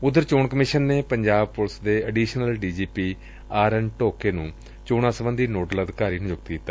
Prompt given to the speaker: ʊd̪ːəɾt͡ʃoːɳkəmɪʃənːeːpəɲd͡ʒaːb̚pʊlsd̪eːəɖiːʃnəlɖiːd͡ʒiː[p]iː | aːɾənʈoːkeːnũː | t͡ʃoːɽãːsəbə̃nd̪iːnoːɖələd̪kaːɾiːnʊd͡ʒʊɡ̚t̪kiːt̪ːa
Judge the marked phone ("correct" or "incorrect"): correct